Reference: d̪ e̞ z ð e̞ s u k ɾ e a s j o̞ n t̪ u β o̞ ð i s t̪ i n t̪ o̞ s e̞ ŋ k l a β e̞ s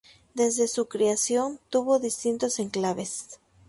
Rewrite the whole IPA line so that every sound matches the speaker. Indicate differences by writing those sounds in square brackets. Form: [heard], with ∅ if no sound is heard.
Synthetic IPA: d̪ e̞ z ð e̞ s u k ɾ e a s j o̞ n t̪ u β o̞ ð i s t̪ i n t̪ o̞ s e̞ ŋ k l a β e̞ s